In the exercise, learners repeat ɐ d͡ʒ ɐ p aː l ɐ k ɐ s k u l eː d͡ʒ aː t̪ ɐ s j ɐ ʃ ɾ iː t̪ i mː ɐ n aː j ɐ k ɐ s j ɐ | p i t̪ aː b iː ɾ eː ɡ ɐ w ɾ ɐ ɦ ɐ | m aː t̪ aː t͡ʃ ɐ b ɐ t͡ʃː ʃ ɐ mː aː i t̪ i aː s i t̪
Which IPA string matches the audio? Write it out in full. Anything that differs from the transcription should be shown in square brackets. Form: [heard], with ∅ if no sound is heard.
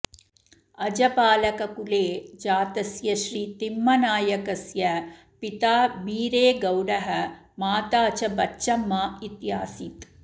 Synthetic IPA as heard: ɐ d͡ʒ ɐ p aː l ɐ k ɐ [∅] k u l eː d͡ʒ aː t̪ ɐ s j ɐ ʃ ɾ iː t̪ i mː ɐ n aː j ɐ k ɐ s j ɐ | p i t̪ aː b iː ɾ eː ɡ ɐ w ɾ ɐ ɦ ɐ | m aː t̪ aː t͡ʃ ɐ b ɐ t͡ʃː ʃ ɐ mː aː i t̪ [j] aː s i t̪